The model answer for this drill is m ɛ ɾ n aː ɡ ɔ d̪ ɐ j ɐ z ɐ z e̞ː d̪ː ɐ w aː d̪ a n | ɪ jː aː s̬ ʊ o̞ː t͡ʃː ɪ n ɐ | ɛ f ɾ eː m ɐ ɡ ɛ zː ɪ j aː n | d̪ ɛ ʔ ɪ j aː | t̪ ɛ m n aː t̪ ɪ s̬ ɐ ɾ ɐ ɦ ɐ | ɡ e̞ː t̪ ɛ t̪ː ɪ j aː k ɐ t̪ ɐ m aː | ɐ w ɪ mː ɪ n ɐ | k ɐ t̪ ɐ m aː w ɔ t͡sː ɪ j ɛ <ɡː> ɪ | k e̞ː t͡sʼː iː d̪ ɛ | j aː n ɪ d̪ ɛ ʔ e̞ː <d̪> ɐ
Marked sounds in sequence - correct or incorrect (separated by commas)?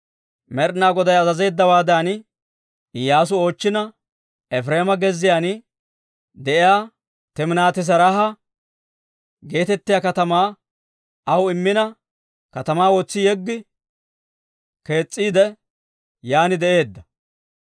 correct, incorrect